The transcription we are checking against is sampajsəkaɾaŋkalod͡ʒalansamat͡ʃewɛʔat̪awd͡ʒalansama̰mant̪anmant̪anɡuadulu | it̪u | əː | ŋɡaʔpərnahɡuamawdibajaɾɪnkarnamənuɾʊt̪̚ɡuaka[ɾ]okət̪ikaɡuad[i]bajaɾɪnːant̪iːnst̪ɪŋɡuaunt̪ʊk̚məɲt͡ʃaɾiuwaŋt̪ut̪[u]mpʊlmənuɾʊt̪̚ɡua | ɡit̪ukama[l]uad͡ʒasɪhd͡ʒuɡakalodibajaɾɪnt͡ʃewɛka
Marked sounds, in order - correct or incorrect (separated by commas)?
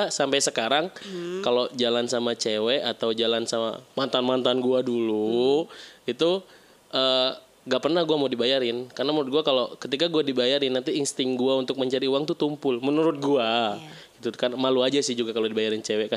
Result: incorrect, correct, correct, correct